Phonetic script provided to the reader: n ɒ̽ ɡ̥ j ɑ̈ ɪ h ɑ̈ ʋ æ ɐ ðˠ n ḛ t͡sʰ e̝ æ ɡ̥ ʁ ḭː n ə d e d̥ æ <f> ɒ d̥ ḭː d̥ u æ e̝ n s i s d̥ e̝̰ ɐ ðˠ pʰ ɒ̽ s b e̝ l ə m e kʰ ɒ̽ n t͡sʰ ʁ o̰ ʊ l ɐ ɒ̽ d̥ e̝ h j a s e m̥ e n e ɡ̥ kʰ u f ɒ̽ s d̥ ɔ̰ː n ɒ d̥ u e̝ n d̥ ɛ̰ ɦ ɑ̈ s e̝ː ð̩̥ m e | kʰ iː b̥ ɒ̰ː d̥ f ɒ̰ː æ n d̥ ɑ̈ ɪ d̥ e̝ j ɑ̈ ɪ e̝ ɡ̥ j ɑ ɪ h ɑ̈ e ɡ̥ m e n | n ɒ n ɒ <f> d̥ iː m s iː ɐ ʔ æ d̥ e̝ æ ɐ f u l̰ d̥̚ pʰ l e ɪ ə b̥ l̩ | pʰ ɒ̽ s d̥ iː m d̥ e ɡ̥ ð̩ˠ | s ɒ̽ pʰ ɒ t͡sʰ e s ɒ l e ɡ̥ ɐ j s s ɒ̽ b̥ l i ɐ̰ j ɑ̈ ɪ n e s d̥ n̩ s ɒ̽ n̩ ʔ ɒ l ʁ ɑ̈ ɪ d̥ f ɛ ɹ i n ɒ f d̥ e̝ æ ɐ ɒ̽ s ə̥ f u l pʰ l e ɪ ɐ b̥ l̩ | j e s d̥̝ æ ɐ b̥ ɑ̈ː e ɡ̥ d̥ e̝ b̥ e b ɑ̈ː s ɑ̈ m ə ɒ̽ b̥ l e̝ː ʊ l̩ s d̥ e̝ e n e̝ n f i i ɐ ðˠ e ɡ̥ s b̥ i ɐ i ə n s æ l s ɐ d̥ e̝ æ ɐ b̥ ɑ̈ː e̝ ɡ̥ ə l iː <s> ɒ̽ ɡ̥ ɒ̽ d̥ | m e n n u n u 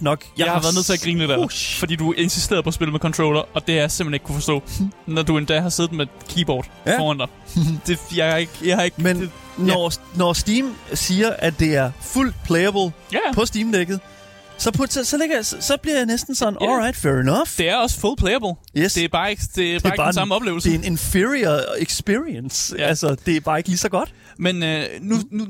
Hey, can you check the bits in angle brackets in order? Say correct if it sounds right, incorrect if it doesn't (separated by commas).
correct, incorrect, correct